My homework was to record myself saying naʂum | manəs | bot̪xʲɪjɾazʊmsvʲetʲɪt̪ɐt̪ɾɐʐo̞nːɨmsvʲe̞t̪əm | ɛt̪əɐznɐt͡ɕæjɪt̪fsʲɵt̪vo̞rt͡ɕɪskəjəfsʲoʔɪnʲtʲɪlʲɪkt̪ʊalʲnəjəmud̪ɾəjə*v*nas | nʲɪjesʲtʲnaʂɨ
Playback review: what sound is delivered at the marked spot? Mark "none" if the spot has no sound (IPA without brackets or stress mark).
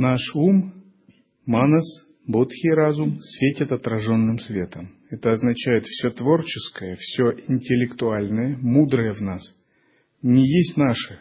v